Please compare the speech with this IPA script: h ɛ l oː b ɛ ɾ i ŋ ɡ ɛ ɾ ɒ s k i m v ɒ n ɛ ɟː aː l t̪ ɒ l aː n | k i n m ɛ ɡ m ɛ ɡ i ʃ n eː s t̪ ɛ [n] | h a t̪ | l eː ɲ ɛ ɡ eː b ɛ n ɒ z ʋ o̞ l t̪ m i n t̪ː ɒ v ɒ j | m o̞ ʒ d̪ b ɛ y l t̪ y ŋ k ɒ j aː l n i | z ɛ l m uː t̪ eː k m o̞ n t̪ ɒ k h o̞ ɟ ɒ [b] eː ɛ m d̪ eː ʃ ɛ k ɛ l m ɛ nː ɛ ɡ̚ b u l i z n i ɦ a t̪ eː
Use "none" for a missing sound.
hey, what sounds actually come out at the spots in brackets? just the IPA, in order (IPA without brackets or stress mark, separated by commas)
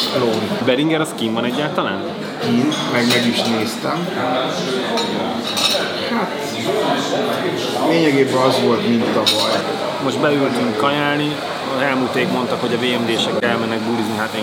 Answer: m, v